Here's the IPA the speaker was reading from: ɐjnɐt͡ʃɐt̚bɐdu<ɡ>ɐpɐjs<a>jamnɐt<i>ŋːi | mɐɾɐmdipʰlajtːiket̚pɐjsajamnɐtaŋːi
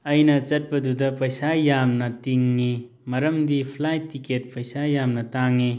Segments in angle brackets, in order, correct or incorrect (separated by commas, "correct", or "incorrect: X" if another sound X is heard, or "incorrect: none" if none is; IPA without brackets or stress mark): incorrect: d, correct, correct